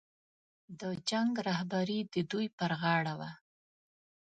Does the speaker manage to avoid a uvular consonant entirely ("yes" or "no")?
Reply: yes